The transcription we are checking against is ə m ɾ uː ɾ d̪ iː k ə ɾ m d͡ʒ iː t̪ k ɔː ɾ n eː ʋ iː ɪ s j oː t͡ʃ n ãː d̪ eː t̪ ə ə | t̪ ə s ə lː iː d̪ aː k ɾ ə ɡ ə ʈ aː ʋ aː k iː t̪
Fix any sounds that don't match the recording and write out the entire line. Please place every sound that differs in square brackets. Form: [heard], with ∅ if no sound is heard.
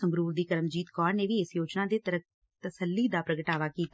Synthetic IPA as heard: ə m ɾ uː ɾ d̪ iː k ə ɾ m d͡ʒ iː t̪ k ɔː ɾ n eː ʋ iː ɪ s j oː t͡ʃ n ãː d̪ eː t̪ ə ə | t̪ ə s ə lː iː d̪ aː [p] ɾ ə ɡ ə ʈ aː ʋ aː k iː t̪